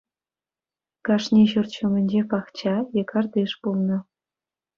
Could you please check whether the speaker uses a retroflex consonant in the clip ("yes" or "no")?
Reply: yes